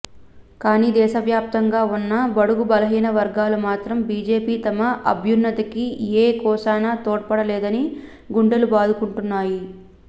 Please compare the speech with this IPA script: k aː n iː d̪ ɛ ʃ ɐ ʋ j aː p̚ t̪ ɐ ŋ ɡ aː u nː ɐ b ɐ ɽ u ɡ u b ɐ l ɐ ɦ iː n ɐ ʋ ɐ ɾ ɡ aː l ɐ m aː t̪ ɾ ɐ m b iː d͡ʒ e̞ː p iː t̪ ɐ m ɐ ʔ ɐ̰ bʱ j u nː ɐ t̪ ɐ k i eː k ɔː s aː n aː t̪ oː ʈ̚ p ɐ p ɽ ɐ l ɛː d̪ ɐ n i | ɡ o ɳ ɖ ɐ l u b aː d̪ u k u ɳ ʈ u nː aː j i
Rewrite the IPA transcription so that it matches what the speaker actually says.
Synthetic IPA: k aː n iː d̪ ɛː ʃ ɐ ʋ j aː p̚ t̪ ɐ ŋ ɡ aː u nː ɐ b ɐ ɽ u ɡ u b ɐ l ɐ ɦ iː n ɐ ʋ ɐ ɾ ɡ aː l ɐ m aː t̪ ɾ ɐ m b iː d͡ʒ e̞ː p iː t̪ ɐ m ɐ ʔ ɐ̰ bʱ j u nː ɐ t̪ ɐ k i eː k ɔː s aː n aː t̪ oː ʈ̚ p ɐ ɽ ɐ l ɛː d̪ ɐ n i | ɡ u ɳ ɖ ɐ l u b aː d̪ u k u ɳ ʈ u nː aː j i